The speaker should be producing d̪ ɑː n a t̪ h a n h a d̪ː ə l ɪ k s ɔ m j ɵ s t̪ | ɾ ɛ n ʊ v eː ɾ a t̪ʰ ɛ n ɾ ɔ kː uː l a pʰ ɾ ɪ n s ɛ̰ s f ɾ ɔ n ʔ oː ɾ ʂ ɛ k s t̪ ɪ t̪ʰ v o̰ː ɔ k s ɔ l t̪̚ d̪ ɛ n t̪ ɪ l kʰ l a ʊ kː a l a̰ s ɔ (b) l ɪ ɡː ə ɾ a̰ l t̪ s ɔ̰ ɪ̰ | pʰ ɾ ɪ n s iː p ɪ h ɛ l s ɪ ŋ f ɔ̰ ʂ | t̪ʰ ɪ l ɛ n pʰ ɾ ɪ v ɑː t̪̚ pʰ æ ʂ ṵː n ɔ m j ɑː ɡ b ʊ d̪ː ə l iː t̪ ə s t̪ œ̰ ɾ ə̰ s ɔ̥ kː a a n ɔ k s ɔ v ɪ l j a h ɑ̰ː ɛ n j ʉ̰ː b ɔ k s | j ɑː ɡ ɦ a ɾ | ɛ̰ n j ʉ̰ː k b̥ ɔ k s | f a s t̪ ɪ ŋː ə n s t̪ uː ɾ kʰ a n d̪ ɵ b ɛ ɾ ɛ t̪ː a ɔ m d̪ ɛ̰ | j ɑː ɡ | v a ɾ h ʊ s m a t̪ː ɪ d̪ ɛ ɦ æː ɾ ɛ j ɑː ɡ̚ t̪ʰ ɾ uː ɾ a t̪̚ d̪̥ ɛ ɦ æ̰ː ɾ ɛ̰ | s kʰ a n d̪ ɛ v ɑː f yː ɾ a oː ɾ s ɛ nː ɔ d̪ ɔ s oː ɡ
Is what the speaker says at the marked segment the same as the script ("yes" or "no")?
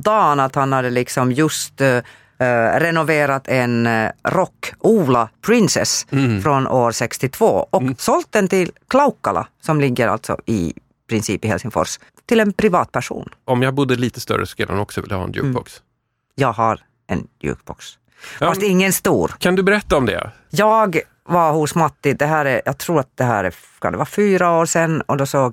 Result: no